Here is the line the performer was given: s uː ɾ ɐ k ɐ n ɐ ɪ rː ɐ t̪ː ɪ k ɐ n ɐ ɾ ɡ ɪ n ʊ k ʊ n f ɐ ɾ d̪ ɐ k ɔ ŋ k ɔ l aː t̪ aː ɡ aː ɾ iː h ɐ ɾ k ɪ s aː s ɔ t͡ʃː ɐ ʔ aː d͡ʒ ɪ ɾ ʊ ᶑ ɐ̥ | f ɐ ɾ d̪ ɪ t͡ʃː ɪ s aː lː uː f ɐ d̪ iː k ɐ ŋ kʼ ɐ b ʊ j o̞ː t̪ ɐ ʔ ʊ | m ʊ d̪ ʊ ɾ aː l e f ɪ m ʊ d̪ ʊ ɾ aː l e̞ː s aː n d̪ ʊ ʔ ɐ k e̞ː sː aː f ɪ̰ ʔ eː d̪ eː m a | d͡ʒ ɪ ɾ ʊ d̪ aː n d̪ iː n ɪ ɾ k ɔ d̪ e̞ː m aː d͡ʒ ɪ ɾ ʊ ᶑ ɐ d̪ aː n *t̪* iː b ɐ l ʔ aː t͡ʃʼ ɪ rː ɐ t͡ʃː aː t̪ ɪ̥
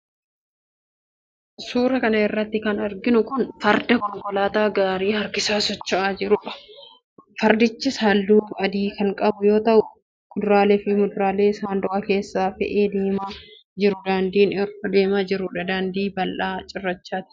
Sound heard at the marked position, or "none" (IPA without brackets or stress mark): d̪